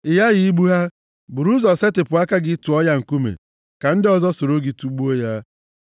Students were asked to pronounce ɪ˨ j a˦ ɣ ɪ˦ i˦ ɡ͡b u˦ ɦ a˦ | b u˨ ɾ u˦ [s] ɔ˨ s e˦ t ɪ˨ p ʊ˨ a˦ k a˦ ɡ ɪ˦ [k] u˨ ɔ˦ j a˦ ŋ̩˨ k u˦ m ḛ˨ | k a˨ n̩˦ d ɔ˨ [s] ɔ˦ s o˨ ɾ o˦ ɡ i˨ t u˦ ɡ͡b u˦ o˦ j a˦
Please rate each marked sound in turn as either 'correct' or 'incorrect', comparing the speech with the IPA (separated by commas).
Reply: incorrect, incorrect, incorrect